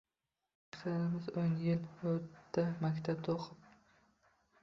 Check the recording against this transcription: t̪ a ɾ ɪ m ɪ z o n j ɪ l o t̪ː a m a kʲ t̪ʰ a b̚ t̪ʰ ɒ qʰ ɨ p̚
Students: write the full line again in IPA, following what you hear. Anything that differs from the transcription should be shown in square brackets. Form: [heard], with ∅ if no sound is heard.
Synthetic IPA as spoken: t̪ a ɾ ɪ m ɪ z o n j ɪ l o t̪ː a m a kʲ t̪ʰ a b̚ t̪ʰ [o] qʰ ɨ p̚